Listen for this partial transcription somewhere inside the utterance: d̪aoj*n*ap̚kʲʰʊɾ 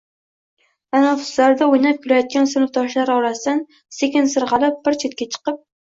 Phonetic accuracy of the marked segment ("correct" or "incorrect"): correct